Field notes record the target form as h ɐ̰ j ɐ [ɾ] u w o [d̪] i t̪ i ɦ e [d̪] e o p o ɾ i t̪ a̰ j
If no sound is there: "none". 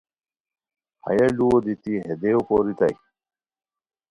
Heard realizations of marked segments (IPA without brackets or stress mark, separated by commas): l, d̪, d̪